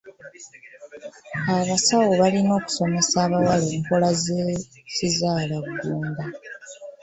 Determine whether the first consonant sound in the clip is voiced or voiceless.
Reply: voiced